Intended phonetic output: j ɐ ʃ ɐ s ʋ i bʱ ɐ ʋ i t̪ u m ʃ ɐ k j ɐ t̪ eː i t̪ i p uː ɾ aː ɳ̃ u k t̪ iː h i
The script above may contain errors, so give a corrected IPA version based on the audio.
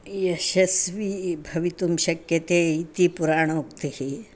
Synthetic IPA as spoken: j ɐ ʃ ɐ s ʋ i bʱ ɐ ʋ i t̪ u m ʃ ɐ k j ɐ t̪ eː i t̪ i p u ɾ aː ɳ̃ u k t̪ i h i